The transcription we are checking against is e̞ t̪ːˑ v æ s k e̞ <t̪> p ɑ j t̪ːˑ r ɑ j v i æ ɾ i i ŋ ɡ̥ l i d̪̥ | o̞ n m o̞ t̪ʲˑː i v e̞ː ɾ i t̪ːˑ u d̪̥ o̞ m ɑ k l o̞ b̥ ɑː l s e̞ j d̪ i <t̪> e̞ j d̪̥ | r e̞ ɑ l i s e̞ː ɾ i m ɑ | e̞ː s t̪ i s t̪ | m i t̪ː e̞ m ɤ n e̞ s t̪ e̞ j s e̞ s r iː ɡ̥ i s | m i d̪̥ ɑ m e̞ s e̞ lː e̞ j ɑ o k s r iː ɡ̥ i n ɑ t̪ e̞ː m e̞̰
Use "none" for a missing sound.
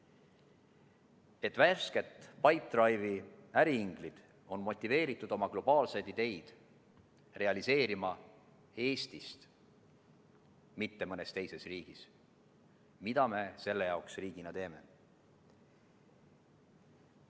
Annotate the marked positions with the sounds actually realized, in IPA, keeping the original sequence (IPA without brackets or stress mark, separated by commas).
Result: t̪, d̪